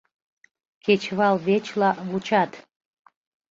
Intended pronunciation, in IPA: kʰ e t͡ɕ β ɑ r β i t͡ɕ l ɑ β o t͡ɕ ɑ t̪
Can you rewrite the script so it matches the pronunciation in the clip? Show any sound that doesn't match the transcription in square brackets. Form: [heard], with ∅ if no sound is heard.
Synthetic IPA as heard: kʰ e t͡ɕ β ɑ [l] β [e] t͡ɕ l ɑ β [u] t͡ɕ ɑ t̪

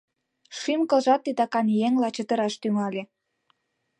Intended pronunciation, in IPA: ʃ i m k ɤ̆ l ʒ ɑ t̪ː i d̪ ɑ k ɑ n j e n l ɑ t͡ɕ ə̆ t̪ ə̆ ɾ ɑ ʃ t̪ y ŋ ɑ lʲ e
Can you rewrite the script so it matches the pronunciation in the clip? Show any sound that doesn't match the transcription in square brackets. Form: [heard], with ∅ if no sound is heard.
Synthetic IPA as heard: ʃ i m k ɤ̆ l ʒ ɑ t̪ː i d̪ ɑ k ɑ n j e [ŋ] l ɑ t͡ɕ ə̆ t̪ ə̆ ɾ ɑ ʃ t̪ y ŋ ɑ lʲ e

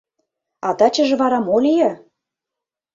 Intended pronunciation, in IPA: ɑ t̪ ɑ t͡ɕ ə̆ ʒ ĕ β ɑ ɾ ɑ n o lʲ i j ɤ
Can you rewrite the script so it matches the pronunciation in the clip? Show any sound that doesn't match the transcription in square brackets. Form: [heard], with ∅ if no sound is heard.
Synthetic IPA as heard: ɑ t̪ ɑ t͡ɕ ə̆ ʒ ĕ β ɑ ɾ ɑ [m] o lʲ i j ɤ

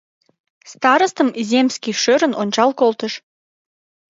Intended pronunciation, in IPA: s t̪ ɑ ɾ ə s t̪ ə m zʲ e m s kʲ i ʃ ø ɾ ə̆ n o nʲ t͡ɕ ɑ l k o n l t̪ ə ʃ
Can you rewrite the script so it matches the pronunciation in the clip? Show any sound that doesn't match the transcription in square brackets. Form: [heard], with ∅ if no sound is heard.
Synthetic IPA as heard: s t̪ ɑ ɾ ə s t̪ ə m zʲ e m s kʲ i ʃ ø ɾ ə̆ n o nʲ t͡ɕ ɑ l k o [∅] l t̪ ə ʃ

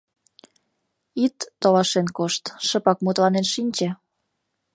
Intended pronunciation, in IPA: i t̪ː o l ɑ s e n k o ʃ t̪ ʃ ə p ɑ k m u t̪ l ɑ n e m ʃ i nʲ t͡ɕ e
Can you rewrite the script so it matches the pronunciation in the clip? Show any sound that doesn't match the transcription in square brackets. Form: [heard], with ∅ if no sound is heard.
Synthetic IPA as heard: i t̪ː o l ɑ [ʃ] e n k o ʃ t̪ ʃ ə p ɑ k m u t̪ l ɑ n e [n] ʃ i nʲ t͡ɕ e

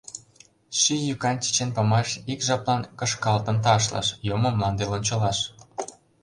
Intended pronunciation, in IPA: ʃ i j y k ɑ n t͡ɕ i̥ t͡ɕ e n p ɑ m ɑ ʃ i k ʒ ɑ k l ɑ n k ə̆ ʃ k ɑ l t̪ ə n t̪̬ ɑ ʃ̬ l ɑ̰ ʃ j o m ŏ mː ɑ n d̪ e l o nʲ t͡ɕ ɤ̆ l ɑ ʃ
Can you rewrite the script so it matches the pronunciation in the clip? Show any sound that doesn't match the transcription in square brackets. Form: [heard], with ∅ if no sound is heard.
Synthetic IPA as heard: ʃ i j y k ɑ n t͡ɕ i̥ t͡ɕ e n p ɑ m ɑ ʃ i k ʒ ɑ [p] l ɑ n k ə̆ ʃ k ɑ l t̪ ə n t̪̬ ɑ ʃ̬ l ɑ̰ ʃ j o m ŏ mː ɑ n d̪ e l o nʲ t͡ɕ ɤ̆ l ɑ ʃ

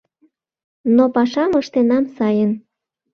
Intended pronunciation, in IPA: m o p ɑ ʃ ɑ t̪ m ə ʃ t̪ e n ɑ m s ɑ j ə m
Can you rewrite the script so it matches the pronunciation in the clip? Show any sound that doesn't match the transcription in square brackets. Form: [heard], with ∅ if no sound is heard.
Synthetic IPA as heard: [n] o p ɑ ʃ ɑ [∅] m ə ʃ t̪ e n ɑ m s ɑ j ə [n]

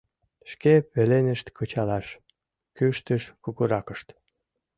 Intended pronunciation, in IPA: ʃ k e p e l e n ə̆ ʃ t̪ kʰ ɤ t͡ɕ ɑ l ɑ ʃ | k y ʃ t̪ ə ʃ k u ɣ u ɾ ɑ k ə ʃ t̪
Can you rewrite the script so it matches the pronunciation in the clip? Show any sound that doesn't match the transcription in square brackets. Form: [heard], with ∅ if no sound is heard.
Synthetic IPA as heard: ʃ k e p e l e n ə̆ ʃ t̪ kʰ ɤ t͡ɕ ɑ l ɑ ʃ | k y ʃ t̪ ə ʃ k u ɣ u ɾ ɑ k ə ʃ t̪

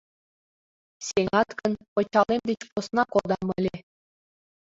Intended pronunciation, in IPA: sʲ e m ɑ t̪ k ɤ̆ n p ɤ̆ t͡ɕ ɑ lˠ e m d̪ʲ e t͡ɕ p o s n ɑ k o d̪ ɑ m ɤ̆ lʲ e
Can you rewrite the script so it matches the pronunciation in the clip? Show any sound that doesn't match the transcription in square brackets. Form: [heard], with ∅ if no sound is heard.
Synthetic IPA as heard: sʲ e [ŋ] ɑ t̪ k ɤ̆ n p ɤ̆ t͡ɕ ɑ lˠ e m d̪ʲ e t͡ɕ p o s n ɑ k o d̪ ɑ m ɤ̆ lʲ e

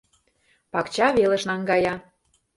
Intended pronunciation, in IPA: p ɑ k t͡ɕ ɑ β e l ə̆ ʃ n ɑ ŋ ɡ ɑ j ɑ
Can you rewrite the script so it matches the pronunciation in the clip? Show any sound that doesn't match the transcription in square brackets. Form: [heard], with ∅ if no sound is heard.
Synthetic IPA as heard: p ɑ k t͡ɕ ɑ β e l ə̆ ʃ n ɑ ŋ ɡ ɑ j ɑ

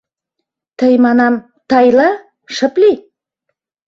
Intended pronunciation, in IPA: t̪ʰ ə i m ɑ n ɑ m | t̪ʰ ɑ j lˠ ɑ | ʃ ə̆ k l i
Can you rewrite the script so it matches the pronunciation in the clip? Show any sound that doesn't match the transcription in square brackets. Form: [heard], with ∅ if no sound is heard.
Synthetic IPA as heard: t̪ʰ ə [j] m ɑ n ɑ m | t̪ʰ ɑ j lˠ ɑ | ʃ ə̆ [p] l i

